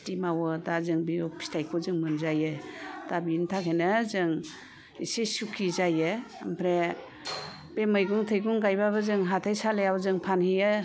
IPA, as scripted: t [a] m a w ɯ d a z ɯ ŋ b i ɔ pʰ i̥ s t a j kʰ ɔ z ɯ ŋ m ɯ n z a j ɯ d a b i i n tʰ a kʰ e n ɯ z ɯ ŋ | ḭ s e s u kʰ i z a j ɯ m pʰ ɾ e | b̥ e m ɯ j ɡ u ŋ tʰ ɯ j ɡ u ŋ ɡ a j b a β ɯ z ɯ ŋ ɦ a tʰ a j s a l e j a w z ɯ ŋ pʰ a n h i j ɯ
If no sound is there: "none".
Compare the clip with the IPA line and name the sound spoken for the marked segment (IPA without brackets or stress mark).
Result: i